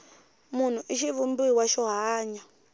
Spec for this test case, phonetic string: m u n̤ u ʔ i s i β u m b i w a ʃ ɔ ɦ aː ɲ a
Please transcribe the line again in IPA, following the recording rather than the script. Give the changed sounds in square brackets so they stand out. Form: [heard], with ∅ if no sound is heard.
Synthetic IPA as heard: m u n̤ u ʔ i [ʃ] i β u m b i w a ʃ ɔ ɦ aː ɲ a